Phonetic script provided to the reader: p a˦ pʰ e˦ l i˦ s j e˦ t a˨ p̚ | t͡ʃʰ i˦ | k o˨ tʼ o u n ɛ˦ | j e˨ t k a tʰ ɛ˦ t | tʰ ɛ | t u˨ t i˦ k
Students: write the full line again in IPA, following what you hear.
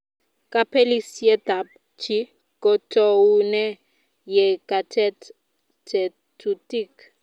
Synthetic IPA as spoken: k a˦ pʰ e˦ l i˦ s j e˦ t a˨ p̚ | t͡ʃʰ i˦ | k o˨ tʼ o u n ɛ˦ | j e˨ k a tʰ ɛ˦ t | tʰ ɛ | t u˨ t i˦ k